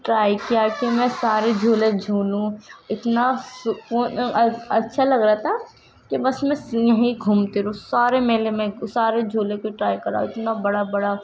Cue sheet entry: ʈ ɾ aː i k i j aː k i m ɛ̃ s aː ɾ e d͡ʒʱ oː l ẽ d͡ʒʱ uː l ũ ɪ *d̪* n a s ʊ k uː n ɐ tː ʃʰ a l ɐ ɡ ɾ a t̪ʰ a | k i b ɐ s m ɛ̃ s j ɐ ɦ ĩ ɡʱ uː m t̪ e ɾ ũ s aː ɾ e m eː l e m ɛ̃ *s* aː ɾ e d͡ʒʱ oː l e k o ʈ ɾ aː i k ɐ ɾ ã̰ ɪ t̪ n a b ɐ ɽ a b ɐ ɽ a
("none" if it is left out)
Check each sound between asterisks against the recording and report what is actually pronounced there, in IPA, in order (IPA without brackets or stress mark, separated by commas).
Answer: t̪, s